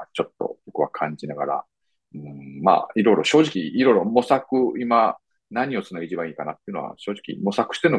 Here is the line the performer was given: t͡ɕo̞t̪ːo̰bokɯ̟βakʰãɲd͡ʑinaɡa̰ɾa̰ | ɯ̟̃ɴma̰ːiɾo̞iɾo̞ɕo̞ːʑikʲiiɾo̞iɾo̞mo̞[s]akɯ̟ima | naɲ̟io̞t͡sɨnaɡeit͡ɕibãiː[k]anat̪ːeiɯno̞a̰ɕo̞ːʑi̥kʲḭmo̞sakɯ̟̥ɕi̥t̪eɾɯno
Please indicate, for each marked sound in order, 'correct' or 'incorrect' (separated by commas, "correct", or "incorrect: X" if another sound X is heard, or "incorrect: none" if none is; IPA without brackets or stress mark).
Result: correct, correct